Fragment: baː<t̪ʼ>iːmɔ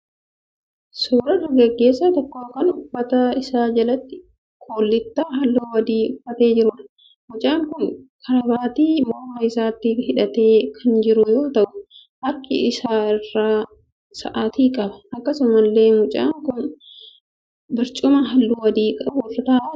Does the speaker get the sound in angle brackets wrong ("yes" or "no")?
yes